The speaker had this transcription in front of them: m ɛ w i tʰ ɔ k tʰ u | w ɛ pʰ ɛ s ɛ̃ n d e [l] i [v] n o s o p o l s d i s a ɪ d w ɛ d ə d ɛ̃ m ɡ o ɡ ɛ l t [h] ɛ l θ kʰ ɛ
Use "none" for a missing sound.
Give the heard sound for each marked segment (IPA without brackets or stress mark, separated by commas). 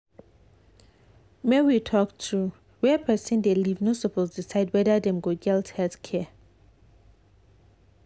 l, v, h